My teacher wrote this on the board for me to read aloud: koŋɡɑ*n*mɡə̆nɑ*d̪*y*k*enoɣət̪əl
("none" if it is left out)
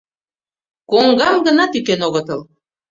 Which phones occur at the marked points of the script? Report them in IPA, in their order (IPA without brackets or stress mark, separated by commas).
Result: none, t̪, k